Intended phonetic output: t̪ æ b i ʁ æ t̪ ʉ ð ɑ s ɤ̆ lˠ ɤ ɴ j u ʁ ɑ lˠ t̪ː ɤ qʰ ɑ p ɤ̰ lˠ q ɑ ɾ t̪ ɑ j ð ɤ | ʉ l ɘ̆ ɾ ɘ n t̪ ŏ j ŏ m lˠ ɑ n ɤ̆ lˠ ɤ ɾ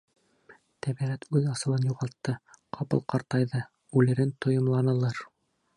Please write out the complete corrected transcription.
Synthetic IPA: t̪ æ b i ʁ æ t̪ ʉ ð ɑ s ɤ̆ lˠ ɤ n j u ʁ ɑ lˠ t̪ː ɤ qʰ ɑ p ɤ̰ lˠ q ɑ ɾ t̪ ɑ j ð ɤ | ʉ l ɘ̆ ɾ ɘ n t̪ ŏ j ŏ m lˠ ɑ n ɤ̆ lˠ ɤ ɾ